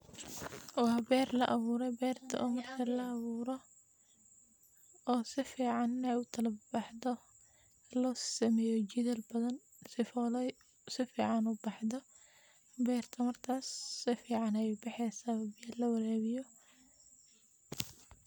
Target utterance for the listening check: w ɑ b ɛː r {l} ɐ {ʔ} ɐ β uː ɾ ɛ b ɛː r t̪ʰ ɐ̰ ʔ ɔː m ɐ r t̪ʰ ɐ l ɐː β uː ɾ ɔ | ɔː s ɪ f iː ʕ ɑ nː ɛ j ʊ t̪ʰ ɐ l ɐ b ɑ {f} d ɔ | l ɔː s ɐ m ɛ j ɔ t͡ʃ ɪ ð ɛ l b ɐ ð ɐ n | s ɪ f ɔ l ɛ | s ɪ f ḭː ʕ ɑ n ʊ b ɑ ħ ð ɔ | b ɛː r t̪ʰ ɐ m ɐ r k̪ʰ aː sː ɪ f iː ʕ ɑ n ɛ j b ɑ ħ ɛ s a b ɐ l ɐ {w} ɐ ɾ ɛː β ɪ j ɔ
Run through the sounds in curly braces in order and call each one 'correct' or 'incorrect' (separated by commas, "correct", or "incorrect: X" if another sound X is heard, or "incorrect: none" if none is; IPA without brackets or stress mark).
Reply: correct, correct, incorrect: ħ, correct